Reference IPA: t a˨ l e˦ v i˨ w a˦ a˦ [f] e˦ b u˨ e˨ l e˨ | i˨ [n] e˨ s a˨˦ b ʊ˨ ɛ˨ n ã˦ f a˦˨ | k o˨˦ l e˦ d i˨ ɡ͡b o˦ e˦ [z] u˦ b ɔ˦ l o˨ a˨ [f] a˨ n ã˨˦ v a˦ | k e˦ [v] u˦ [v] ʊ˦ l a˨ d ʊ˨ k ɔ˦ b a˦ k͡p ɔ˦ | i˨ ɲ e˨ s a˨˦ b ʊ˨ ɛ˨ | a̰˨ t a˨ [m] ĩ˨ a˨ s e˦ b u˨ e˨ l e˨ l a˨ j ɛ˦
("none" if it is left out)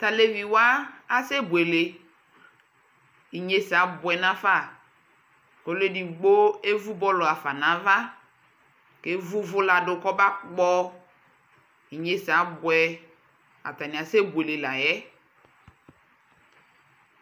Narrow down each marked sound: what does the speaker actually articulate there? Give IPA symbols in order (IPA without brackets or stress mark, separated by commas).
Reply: s, ɲ, v, f, v, v, n